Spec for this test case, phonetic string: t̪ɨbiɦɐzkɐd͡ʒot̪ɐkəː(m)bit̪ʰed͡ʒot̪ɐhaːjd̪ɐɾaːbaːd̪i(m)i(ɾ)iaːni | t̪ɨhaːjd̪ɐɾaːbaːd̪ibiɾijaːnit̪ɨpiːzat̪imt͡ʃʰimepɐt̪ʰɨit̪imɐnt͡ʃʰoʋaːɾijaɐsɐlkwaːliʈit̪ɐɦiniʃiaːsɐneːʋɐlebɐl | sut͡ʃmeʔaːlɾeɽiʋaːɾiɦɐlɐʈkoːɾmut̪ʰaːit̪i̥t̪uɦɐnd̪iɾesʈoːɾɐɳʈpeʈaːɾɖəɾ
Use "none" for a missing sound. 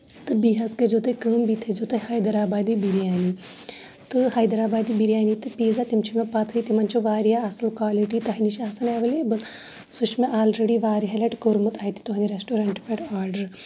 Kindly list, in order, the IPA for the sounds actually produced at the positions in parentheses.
m, b, ɾ

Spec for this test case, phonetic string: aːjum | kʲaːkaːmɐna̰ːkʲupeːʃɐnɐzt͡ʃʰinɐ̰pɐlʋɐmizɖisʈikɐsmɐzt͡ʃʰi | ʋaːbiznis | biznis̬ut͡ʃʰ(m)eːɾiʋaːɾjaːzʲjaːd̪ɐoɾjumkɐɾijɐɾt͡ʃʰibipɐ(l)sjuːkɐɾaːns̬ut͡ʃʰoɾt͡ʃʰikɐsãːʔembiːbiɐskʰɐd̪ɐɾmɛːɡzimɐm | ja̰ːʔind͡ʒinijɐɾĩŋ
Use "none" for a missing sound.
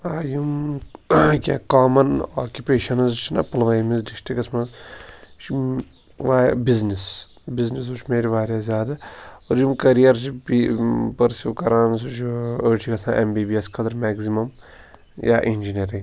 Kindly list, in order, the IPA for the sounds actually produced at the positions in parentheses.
m, ɾ

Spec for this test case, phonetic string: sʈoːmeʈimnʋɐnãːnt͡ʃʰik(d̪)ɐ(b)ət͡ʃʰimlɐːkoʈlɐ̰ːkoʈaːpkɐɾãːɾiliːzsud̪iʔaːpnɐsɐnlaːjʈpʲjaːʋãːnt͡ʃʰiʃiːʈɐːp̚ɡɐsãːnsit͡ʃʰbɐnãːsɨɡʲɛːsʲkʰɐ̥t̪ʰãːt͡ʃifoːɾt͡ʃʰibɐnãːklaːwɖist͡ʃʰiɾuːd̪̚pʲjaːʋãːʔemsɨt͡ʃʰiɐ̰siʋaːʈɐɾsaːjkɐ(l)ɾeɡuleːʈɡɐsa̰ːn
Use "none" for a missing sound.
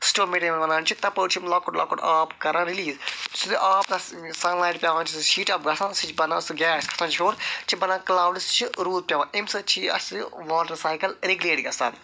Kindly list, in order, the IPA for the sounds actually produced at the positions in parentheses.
t̪, p, l

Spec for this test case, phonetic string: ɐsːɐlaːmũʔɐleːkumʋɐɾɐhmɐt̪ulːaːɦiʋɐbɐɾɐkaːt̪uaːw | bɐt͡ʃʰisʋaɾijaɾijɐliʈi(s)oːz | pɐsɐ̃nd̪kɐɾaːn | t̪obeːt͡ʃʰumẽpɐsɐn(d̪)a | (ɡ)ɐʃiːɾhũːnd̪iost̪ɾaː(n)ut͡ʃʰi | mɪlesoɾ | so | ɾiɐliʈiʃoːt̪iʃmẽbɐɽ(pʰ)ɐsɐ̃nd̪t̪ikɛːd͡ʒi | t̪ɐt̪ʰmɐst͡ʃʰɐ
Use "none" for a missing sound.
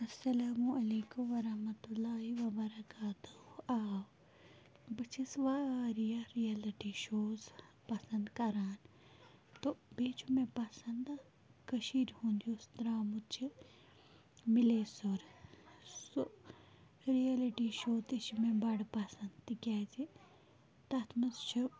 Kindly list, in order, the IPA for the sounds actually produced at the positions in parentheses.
ʃ, d̪, k, m, p

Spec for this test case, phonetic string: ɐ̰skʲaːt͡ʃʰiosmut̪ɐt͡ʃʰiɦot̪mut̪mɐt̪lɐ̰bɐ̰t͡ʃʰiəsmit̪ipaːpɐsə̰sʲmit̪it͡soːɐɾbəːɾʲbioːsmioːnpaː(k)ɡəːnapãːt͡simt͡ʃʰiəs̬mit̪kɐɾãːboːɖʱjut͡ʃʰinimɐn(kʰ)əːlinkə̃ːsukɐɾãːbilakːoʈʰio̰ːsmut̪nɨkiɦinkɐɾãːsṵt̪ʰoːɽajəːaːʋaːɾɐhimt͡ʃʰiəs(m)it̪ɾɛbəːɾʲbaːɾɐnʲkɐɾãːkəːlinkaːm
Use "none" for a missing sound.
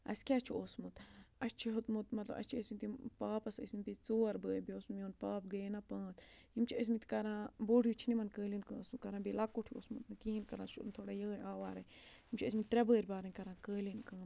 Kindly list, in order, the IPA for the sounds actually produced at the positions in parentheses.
p, k, m

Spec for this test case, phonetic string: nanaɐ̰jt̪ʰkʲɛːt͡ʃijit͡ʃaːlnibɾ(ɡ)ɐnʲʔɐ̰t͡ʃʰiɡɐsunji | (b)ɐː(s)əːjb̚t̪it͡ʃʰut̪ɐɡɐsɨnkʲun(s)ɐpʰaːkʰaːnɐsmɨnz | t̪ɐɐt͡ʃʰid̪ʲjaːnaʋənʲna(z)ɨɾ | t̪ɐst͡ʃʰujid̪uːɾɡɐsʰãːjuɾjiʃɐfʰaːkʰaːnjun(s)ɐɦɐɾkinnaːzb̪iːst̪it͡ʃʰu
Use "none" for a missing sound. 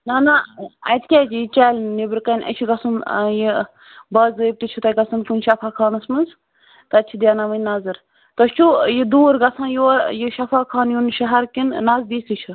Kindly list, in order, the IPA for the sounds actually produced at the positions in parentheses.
k, b, z, ʃ, z, ʃ

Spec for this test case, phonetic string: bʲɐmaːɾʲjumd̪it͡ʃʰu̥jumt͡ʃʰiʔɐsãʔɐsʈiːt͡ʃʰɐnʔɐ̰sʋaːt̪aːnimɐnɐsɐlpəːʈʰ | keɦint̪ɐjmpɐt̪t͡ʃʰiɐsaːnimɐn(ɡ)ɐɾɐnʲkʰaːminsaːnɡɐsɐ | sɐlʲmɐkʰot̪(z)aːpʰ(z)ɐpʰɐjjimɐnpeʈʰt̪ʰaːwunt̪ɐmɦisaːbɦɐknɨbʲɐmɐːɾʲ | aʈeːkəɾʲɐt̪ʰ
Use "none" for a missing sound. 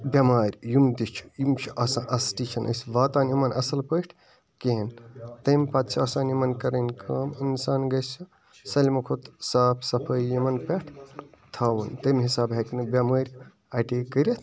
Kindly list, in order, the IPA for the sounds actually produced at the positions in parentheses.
k, s, s

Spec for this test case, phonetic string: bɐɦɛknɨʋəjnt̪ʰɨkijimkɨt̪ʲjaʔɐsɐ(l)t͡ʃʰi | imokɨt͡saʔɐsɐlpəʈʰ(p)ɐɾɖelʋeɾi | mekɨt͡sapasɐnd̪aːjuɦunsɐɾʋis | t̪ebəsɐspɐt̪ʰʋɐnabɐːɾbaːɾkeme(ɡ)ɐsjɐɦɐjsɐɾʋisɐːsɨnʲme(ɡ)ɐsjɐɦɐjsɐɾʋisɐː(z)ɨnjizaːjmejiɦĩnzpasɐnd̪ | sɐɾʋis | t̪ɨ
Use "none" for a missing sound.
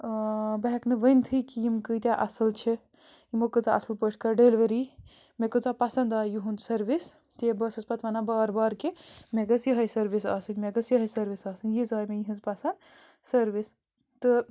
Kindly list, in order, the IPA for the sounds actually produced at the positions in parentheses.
l, k, ɡ, ɡ, s

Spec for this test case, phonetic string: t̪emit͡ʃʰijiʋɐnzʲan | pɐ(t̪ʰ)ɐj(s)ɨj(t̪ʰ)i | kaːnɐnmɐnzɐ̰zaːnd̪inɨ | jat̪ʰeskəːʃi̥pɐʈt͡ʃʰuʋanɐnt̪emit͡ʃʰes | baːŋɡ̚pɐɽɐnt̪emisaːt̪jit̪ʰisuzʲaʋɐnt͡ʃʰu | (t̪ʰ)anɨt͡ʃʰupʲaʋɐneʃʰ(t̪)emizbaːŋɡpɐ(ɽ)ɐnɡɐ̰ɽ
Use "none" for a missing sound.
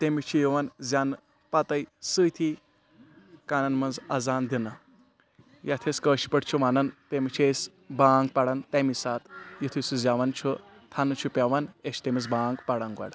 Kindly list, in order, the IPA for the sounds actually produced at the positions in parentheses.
t̪, s, t̪ʰ, t̪ʰ, t̪, ɽ

